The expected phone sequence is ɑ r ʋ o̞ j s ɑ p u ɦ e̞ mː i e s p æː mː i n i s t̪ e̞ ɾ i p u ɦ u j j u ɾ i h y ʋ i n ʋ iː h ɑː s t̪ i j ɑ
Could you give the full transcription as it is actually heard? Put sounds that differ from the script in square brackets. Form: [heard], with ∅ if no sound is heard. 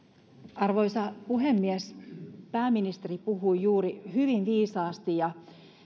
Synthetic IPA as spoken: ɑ r ʋ o̞ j s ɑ p u ɦ e̞ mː i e s p æː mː i n i s t̪ e̞ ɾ i p u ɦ u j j [uː] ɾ i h y ʋ i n ʋ iː [s] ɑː s t̪ i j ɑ